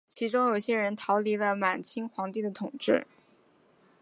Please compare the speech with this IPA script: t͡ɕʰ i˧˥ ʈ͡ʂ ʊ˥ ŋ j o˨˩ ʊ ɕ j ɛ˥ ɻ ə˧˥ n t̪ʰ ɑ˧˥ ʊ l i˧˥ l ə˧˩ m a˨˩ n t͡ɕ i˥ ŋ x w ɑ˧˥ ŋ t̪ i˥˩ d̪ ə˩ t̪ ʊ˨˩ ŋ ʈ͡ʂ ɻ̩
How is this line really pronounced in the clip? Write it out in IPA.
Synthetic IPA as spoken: t͡ɕʰ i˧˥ ʈ͡ʂ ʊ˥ ŋ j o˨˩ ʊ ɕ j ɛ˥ ɻ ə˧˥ n t̪ʰ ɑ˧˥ ʊ l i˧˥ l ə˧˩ m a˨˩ n t͡ɕʰ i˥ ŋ x w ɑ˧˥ ŋ t̪ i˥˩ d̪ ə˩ t̪ʰ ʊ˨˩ ŋ ʈ͡ʂ ɻ̩